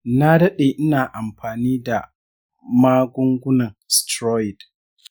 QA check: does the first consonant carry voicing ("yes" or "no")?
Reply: yes